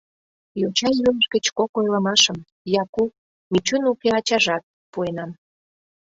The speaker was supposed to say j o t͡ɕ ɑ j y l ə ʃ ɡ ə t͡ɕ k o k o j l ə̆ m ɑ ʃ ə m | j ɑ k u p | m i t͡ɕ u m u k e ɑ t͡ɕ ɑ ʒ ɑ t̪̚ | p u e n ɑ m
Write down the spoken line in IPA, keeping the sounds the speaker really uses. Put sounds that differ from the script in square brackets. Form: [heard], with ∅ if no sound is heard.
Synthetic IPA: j o t͡ɕ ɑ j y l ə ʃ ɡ ə t͡ɕ k o k o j l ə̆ m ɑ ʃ ə m | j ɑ k u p | m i t͡ɕ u [n] u k e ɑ t͡ɕ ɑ ʒ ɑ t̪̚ | p u e n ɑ m